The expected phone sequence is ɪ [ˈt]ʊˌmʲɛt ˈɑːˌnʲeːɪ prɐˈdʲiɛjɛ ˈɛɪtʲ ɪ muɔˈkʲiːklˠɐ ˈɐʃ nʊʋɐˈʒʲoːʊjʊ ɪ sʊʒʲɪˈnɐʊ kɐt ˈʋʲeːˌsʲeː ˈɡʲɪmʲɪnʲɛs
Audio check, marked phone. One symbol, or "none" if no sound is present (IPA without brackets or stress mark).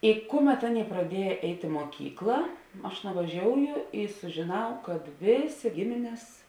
k